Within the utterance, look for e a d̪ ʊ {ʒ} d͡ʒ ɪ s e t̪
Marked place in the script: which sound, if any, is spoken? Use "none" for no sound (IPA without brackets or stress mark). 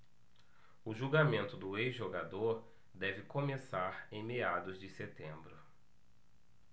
z